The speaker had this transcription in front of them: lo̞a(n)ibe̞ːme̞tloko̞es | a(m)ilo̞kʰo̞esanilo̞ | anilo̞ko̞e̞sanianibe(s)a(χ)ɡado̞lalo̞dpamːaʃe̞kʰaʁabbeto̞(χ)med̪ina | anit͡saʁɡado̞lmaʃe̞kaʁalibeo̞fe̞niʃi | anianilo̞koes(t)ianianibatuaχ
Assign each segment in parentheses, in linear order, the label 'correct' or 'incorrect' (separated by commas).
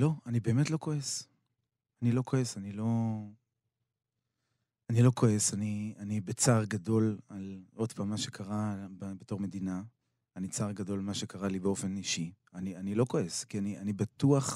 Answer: correct, incorrect, incorrect, incorrect, incorrect, incorrect